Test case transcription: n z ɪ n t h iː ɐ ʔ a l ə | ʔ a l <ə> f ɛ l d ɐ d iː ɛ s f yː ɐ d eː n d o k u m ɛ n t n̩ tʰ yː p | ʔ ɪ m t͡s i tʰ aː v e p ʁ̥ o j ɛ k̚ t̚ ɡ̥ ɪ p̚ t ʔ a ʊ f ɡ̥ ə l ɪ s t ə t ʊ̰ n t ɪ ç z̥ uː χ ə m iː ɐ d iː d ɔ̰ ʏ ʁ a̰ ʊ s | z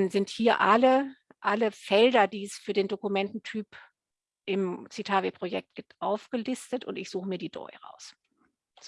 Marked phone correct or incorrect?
correct